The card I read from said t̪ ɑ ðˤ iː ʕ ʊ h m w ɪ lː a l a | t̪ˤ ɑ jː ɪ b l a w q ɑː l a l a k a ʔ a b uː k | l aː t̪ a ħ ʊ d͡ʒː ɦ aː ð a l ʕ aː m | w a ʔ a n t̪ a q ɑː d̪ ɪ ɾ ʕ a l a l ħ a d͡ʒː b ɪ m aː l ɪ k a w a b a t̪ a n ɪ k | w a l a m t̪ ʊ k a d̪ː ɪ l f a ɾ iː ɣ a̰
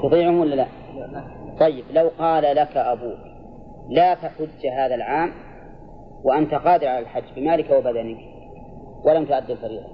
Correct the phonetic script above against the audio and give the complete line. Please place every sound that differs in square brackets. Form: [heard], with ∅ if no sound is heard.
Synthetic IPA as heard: t̪ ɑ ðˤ iː ʕ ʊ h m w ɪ lː a l a | t̪ˤ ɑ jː ɪ b l a w q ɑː l a l a k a ʔ a b uː k | l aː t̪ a ħ ʊ d͡ʒː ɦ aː ð a l ʕ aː m | w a ʔ a n t̪ a q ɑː d̪ ɪ ɾ ʕ a l a l ħ a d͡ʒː b ɪ m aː l ɪ k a w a b a [d̪] a n ɪ k | w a l a m t̪ ʊ [ʔ] a d̪ː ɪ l f a ɾ iː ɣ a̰